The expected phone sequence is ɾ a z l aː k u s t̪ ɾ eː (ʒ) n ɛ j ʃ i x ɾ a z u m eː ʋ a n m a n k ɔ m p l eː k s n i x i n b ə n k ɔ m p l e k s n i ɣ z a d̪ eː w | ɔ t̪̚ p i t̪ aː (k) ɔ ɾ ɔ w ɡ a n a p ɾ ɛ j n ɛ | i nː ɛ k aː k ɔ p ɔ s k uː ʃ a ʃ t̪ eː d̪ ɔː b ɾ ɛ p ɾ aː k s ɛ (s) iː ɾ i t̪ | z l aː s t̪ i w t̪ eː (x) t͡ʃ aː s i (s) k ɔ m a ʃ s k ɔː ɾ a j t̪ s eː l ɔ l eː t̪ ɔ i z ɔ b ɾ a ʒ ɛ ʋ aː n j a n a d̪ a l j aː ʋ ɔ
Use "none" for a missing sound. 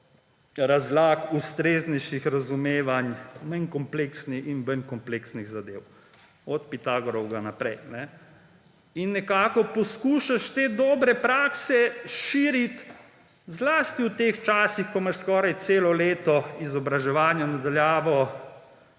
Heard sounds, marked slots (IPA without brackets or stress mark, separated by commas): z, ɡ, ʃ, x, x